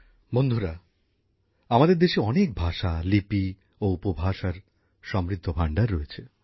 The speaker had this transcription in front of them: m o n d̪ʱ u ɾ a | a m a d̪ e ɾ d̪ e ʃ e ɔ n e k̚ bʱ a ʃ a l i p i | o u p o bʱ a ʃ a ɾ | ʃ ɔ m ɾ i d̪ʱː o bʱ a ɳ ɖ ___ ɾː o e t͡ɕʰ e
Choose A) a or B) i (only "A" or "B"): A